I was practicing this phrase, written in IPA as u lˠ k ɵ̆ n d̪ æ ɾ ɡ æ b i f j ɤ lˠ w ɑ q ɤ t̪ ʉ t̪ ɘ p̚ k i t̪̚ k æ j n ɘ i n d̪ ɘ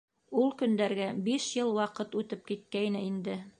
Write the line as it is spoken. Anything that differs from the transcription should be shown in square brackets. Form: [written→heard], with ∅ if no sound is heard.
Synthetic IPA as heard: u lˠ k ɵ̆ n d̪ æ ɾ ɡ æ b i [f→ʃ] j ɤ lˠ w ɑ q ɤ t̪ ʉ t̪ ɘ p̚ k i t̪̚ k æ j n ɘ i n d̪ ɘ